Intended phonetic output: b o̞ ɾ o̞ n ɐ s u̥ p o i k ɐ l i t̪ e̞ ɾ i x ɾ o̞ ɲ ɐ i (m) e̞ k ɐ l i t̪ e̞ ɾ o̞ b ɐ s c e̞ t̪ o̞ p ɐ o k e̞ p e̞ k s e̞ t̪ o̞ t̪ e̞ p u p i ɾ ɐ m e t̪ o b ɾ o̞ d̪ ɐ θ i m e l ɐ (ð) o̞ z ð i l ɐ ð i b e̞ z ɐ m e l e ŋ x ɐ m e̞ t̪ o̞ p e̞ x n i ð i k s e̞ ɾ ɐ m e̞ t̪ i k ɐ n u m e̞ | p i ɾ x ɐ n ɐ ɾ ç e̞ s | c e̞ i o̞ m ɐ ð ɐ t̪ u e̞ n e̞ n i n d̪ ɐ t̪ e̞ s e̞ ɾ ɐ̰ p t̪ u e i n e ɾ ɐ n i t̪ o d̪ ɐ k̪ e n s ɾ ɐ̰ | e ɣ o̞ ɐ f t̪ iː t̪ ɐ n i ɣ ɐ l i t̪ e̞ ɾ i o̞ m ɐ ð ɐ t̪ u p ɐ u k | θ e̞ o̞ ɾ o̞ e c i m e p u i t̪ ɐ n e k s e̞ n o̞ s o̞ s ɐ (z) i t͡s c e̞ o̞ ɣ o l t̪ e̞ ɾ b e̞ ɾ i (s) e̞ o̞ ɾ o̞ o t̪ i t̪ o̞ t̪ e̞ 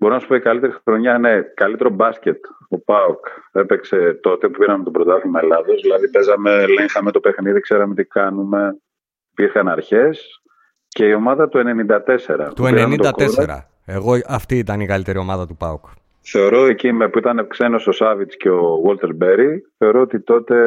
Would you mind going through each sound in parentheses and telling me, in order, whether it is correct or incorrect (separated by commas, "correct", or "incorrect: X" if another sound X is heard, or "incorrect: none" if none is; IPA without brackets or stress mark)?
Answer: incorrect: n, correct, incorrect: v, incorrect: θ